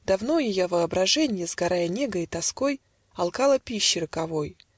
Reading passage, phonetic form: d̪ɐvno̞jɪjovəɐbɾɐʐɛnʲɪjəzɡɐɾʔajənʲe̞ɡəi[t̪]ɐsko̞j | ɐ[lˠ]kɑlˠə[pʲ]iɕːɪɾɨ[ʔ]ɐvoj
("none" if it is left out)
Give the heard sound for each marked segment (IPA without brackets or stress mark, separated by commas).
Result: t̪, lˠ, pʲ, k